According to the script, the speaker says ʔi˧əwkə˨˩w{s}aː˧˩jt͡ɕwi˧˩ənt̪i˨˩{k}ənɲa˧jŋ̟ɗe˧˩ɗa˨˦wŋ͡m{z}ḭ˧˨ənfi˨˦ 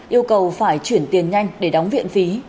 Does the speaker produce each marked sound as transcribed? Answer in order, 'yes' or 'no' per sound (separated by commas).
no, no, no